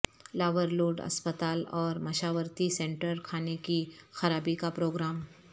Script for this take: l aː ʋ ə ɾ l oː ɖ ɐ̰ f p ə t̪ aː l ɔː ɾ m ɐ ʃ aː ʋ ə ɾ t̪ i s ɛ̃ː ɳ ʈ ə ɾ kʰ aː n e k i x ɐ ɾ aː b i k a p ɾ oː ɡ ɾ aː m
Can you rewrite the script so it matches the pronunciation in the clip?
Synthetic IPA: l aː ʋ ə ɾ l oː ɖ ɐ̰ s p ə t̪ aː l ɔː ɾ m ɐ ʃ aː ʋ ə ɾ t̪ i s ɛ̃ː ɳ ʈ ə ɾ kʰ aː n e k i x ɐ ɾ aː b i k a p ɾ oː ɡ ɾ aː m